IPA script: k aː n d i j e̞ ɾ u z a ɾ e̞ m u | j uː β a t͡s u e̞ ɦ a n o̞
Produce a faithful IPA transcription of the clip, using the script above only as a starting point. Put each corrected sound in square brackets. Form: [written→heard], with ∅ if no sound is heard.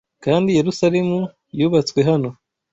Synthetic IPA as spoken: k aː n d i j e̞ ɾ u [z→s] a ɾ e̞ m u | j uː β a t͡s [u→w] e̞ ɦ a n o̞